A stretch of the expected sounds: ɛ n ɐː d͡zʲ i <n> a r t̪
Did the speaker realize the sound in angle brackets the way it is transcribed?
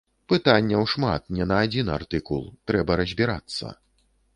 yes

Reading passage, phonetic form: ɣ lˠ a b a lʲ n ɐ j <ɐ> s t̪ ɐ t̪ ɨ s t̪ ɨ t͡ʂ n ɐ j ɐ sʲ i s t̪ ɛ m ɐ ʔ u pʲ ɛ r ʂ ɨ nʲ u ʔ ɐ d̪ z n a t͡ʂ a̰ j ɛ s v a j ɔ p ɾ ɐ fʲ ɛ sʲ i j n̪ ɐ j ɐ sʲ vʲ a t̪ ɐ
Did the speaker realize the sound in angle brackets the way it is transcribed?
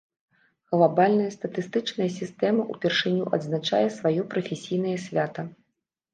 yes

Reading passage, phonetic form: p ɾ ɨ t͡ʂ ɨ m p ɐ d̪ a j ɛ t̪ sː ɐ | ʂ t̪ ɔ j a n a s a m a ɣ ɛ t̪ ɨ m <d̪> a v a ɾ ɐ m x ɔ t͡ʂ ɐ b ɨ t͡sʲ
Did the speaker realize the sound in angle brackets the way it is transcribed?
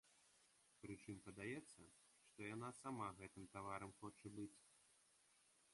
no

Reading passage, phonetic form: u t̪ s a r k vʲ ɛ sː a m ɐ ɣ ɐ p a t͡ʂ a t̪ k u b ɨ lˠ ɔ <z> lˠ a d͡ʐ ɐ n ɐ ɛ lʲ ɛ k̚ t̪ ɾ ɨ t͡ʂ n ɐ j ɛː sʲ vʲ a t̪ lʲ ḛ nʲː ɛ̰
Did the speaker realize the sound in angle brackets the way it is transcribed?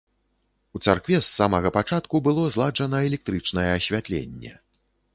yes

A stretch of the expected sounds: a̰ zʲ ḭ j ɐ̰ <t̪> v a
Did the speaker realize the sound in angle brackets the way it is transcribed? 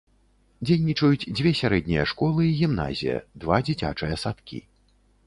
no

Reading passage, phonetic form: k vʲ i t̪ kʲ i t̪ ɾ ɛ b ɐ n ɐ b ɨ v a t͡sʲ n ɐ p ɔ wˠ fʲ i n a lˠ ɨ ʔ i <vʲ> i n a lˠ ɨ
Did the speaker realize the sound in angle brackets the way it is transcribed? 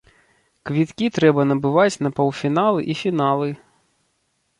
no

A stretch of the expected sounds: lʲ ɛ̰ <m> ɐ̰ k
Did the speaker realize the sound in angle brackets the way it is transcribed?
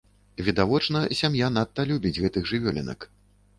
no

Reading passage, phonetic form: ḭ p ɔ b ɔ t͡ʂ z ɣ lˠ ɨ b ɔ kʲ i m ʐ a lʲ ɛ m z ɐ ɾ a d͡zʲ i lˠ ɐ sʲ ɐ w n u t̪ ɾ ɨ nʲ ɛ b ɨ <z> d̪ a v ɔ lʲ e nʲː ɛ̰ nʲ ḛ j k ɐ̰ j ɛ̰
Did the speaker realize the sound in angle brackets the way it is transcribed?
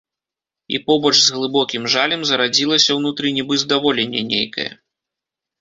yes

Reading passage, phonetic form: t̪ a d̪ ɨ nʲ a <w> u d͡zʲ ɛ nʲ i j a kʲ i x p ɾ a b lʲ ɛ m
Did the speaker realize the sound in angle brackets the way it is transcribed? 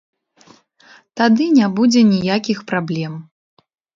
no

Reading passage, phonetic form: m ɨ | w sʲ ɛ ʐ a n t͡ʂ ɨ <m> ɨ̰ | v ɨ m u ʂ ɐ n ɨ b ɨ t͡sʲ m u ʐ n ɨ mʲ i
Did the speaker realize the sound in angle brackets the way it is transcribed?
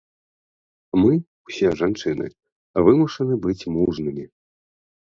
no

